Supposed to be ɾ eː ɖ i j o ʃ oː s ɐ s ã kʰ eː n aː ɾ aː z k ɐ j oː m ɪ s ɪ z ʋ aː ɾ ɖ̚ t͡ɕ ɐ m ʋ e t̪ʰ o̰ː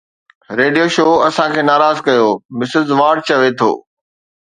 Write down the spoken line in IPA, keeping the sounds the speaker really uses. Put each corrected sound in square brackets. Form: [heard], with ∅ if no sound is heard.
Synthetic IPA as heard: ɾ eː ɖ i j o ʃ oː [∅] ɐ s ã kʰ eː n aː ɾ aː z k ɐ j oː m ɪ s ɪ z ʋ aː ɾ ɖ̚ t͡ɕ ɐ [∅] ʋ e t̪ʰ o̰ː